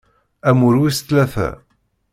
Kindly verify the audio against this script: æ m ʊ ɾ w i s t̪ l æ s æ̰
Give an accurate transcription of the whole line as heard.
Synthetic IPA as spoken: æ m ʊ ɾ w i s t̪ l æ θ æ̰